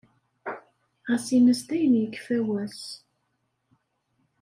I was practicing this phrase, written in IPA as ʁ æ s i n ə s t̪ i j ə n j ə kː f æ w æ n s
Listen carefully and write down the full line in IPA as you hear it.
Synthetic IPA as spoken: ʁ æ s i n ə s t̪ æ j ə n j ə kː f æ w æ s